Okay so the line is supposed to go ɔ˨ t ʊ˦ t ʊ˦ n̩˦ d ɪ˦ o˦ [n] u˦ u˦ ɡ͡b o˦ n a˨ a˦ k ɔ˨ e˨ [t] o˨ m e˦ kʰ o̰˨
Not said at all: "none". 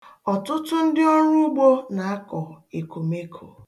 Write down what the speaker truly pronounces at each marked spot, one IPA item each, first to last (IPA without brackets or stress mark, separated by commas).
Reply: ɲ, k